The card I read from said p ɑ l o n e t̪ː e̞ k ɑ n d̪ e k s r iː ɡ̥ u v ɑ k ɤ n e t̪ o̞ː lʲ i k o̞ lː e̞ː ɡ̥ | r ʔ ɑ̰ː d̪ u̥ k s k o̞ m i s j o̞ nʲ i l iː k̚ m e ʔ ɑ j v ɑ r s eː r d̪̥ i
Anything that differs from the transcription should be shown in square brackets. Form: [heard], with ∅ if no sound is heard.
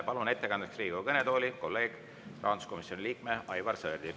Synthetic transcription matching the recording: p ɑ l [u] n e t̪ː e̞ k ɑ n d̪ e k s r iː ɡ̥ u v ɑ k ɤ n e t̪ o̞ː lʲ i k o̞ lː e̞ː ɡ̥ | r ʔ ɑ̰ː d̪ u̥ [∅] s k o̞ m i s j o̞ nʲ i l iː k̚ m e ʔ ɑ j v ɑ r s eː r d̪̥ i